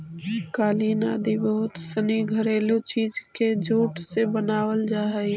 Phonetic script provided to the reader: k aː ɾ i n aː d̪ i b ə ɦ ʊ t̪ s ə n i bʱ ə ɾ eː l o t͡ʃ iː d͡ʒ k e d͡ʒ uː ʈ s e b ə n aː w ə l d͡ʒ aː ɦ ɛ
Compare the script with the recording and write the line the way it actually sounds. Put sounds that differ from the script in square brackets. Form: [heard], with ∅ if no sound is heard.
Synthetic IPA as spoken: k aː [l] i n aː d̪ i b ə ɦ ʊ t̪ s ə n i [ɡʱ] ə ɾ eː l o t͡ʃ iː d͡ʒ k e d͡ʒ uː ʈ s e b ə n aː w ə l d͡ʒ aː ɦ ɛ